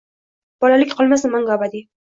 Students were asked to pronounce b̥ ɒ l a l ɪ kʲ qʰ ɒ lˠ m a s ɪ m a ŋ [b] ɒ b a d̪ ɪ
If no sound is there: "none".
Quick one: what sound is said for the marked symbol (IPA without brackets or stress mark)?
ɡ